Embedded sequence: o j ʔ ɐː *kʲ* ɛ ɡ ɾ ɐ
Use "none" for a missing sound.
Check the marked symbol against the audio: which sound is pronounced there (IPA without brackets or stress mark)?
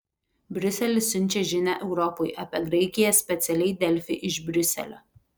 pʲ